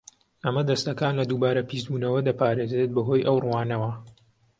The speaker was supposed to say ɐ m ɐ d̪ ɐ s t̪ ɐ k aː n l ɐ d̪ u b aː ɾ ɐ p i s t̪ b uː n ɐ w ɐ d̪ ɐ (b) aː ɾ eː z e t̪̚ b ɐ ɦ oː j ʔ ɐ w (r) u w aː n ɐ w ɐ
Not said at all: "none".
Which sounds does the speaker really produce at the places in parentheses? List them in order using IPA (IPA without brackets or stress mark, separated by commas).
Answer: p, r